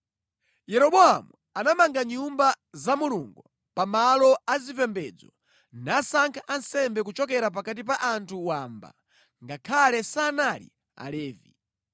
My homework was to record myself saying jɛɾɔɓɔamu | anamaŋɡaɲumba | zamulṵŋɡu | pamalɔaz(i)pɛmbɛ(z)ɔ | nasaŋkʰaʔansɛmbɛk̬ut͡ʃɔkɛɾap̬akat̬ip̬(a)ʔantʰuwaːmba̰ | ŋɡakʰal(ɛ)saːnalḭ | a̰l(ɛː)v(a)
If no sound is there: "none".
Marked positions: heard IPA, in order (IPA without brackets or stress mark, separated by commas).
i, d͡z, a, ɛ, ɛː, i